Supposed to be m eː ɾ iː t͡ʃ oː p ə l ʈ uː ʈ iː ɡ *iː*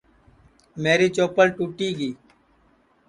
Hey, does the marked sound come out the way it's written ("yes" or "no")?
yes